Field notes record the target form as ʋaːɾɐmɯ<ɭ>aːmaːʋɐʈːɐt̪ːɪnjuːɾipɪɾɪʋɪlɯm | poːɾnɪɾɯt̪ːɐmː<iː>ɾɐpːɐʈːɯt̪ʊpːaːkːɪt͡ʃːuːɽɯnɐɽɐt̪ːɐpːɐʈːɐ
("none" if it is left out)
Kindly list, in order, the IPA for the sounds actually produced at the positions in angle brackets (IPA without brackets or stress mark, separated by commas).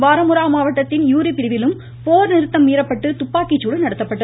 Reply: ɾ, iː